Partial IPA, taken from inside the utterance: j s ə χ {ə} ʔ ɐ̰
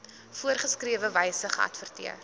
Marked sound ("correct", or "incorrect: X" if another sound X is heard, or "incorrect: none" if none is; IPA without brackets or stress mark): correct